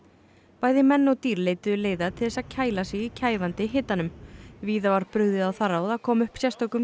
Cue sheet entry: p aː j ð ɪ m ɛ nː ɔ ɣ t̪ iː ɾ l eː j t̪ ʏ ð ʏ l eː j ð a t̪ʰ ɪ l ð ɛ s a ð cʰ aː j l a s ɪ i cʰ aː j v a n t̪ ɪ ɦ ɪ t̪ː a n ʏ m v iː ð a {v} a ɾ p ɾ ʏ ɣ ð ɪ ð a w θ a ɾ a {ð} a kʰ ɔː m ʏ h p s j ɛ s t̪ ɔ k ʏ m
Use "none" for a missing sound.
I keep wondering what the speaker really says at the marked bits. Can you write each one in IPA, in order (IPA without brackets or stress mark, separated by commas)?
v, ð